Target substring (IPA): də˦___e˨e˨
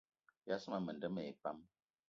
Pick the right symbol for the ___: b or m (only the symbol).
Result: m